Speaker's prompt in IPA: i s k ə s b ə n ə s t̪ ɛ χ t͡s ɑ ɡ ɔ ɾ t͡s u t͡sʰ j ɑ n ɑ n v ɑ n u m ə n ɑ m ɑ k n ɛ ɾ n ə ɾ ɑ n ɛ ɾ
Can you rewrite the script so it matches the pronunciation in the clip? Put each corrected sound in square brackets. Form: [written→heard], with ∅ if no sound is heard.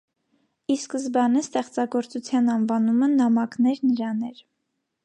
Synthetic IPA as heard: i s k ə [s→z] b [ə→ɑ] n ə s t̪ ɛ χ t͡s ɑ ɡ ɔ ɾ t͡s u t͡sʰ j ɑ n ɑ n v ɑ n u m ə n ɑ m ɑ k n ɛ ɾ n ə ɾ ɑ n ɛ ɾ